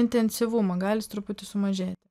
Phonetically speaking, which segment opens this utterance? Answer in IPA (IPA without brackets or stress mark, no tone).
ɪ